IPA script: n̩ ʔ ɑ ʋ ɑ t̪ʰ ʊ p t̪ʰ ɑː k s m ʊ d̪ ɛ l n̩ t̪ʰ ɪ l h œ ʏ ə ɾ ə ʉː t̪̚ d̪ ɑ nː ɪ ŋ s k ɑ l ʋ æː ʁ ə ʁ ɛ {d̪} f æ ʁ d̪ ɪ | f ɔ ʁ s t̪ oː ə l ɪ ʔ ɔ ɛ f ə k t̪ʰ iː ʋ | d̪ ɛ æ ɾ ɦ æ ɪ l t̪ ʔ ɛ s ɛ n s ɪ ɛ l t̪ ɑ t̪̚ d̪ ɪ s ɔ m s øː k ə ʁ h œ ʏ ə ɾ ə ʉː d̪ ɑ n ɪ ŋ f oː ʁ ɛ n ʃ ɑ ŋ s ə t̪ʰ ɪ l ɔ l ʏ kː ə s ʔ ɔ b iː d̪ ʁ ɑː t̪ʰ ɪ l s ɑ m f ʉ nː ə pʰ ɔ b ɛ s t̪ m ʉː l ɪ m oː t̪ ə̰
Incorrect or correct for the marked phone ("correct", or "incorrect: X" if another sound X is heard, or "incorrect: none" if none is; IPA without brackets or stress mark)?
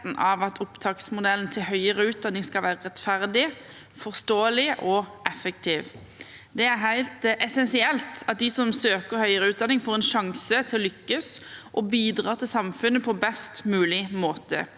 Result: incorrect: t̪